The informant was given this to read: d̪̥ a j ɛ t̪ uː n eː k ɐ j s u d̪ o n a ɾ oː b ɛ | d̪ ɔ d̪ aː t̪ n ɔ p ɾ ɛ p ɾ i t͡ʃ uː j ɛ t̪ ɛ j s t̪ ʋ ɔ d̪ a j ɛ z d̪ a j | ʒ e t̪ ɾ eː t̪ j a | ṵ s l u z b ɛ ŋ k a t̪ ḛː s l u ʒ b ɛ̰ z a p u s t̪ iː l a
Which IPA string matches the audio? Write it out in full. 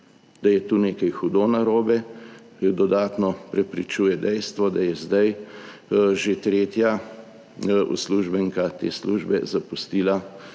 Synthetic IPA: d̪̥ a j ɛ t̪ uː n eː k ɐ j x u d̪ o n a ɾ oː b ɛ | d̪ ɔ d̪ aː t̪ n ɔ p ɾ ɛ p ɾ i t͡ʃ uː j ɛ d̪ ɛ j s t̪ ʋ ɔ d̪ a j ɛ z d̪ a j | ʒ e t̪ ɾ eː t̪ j a | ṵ s l u ʒ b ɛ ŋ k a t̪ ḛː s l u ʒ b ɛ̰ z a p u s t̪ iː l a